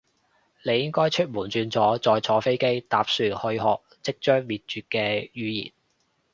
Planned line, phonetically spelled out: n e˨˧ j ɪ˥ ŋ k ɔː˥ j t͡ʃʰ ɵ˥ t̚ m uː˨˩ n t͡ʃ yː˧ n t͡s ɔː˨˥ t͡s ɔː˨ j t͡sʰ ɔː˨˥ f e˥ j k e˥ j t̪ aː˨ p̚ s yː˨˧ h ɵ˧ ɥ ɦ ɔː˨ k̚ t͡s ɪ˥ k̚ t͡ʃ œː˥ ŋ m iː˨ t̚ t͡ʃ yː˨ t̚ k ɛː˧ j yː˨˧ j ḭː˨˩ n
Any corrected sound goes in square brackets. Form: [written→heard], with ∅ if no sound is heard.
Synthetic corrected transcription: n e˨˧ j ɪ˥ ŋ k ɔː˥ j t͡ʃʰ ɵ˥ t̚ m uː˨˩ n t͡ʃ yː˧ n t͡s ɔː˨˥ t͡s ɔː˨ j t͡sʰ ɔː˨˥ f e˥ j k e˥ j t̪ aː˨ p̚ s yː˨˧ h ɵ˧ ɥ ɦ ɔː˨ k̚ t͡s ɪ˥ k̚ t͡ʃ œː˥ ŋ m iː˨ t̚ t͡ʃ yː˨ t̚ k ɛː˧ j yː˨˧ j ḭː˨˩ n